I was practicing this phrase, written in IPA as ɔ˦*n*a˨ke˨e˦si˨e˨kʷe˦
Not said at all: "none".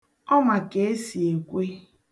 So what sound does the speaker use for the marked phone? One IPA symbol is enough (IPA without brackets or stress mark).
m